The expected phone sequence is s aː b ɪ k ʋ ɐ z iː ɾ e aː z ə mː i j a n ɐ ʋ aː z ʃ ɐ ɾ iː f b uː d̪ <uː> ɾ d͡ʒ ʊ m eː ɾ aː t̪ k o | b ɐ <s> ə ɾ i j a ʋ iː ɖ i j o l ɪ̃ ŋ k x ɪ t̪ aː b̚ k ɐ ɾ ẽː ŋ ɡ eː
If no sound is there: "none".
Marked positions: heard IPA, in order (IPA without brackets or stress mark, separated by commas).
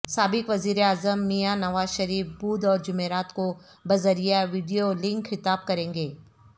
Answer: ɔː, z